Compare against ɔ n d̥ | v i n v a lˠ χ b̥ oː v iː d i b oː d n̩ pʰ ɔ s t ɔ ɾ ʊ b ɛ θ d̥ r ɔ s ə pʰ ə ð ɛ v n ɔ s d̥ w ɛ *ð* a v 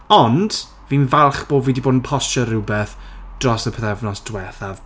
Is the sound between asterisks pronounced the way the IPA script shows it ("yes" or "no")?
no